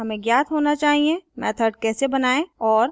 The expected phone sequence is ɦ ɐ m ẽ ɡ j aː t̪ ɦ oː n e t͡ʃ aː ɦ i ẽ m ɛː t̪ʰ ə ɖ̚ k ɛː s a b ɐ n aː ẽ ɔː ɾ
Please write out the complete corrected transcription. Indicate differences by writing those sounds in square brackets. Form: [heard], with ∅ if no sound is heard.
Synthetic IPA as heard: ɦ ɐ m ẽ ɡ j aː t̪ ɦ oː n [a] t͡ʃ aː ɦ i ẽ m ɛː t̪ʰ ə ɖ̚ k ɛː s [e] b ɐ n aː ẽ ɔː ɾ